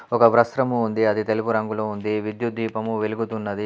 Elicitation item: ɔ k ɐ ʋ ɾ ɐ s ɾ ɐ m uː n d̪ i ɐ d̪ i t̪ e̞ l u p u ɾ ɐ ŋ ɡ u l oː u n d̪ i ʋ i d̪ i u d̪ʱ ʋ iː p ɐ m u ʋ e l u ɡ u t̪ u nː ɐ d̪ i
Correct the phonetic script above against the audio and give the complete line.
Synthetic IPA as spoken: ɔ k ɐ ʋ ɾ ɐ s ɾ ɐ m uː n d̪ i ɐ d̪ i t̪ e̞ l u p u ɾ ɐ ŋ ɡ u l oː u n d̪ i ʋ i d̪ j u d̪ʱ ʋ iː p ɐ m u ʋ e l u ɡ u t̪ u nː ɐ d̪ i